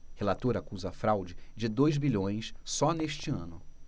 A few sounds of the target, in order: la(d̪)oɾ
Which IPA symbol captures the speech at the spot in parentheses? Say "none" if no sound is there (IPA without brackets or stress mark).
t̪